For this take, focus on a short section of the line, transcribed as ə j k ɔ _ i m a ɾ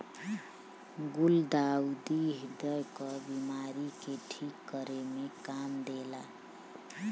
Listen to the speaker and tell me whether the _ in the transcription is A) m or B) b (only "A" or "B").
B